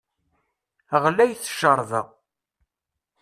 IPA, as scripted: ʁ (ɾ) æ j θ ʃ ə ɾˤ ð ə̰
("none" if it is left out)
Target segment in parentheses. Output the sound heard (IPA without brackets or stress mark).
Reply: l